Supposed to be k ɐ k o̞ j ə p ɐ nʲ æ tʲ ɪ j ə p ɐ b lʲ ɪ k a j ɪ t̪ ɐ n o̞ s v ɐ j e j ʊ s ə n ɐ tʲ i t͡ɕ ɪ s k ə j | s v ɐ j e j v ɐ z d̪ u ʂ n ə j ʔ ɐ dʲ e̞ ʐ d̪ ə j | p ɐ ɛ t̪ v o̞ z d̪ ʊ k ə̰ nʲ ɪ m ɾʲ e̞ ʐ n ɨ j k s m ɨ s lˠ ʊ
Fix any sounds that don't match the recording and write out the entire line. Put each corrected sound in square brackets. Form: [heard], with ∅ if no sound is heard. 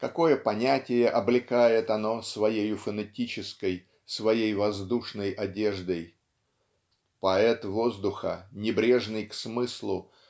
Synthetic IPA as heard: k ɐ k o̞ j ə p ɐ nʲ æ tʲ ɪ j ə [ʔ] ɐ b lʲ ɪ k a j ɪ t̪ ɐ n o̞ s v ɐ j e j ʊ [f] ə n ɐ tʲ i t͡ɕ ɪ s k ə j | s v ɐ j e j v ɐ z d̪ u ʂ n ə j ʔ ɐ dʲ e̞ ʐ d̪ ə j | p ɐ ɛ t̪ v o̞ z d̪ ʊ [x] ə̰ nʲ ɪ [b] ɾʲ e̞ ʐ n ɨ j k s m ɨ s lˠ ʊ